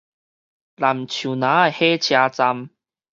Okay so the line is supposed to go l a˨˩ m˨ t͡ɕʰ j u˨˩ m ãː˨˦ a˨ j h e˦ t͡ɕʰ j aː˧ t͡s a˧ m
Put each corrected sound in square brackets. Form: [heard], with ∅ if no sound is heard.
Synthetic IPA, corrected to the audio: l a˨˩ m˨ t͡ɕʰ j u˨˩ [n] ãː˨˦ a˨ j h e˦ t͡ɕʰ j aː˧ t͡s a˧ m